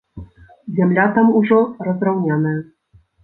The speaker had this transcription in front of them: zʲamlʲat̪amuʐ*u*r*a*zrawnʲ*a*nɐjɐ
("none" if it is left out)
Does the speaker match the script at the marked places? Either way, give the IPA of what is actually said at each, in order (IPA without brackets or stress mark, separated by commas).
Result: ɔ, ɐ, a